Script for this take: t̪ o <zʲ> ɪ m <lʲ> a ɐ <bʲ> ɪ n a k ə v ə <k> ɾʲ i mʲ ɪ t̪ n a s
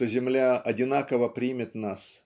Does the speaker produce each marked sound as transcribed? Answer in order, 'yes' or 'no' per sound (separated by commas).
yes, yes, no, no